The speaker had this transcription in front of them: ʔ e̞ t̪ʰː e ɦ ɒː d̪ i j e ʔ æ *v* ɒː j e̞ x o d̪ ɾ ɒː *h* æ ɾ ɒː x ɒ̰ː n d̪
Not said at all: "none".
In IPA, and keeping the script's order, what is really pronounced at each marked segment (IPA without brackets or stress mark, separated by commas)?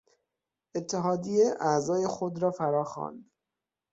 z, f